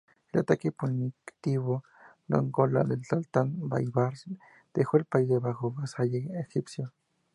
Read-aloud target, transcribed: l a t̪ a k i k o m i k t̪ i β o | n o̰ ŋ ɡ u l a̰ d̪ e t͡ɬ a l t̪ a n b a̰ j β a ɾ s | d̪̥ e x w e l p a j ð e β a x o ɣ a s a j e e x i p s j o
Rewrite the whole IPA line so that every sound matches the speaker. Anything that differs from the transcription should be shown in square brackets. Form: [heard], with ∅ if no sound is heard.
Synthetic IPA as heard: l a t̪ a k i [p] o [n] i k t̪ i β o | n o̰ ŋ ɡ [o] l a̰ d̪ e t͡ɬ a l t̪ a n b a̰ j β a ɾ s | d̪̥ e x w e l p a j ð e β a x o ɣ a s a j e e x i p s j o